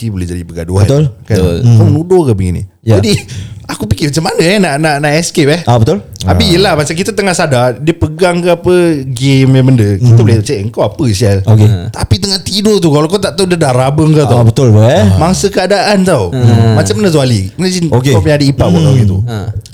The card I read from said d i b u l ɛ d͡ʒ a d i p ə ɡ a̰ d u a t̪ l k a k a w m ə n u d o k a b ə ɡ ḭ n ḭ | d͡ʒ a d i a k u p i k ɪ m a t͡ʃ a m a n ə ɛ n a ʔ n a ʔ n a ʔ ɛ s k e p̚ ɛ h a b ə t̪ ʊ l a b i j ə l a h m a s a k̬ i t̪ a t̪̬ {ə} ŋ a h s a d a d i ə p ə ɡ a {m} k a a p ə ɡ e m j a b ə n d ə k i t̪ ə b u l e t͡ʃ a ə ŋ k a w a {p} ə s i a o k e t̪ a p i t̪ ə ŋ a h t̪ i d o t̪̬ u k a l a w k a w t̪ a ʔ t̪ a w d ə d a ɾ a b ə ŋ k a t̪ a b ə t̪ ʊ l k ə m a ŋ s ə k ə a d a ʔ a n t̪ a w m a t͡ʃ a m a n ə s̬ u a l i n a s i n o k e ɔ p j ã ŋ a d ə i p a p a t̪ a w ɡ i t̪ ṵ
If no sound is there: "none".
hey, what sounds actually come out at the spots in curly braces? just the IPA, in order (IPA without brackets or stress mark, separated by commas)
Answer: ə, ŋ, p